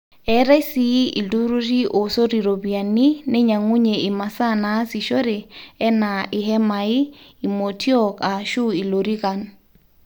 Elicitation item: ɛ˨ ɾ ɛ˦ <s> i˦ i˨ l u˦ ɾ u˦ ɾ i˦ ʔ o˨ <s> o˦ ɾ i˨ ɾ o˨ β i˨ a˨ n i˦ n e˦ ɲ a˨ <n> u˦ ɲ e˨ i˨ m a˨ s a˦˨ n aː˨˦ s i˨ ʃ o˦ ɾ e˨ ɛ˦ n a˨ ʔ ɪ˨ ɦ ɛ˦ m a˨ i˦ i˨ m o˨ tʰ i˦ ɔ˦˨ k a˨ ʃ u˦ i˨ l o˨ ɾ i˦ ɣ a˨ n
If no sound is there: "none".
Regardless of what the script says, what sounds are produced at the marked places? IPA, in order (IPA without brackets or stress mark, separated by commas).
s, s, ŋ